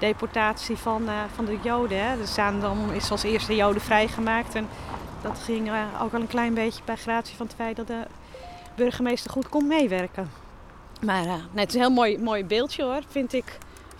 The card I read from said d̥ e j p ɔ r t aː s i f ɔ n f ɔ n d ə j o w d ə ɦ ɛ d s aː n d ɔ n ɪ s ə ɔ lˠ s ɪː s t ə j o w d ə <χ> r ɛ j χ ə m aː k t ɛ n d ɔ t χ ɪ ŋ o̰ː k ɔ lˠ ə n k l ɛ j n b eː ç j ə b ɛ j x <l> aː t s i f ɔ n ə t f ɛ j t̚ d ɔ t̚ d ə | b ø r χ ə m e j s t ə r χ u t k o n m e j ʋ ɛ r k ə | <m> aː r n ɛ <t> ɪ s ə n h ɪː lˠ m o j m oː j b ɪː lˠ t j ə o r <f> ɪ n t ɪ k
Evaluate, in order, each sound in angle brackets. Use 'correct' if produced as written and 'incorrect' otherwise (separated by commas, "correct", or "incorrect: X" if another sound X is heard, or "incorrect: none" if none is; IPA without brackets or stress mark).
incorrect: f, incorrect: r, correct, correct, correct